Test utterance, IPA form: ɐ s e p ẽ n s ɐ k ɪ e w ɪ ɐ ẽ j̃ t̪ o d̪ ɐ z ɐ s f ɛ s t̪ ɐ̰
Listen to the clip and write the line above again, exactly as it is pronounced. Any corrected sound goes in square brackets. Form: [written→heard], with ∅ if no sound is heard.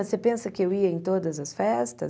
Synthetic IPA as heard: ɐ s e p ẽ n s ɐ k ɪ e w [ɪ→i] ɐ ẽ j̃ t̪ o d̪ ɐ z ɐ s f ɛ s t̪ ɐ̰